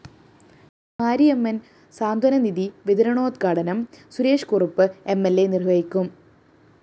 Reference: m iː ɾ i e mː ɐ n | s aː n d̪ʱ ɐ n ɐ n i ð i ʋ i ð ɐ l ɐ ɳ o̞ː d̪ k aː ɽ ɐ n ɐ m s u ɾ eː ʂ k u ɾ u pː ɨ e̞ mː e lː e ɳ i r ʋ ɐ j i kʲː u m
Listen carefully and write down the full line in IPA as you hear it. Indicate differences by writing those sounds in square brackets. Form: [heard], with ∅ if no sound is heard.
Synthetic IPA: m [aː] ɾ i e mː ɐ n | s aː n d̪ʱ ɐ n ɐ n i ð i ʋ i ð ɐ [ɾ] ɐ ɳ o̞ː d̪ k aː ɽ ɐ n ɐ m s u ɾ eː ʂ k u [r] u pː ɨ e̞ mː e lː e [n] i r ʋ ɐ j i kʲː u m